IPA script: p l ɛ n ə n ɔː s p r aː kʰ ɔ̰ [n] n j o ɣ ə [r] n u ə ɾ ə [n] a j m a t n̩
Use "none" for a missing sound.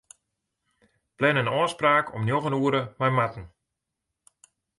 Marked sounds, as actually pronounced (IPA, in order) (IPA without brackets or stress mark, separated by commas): m, none, m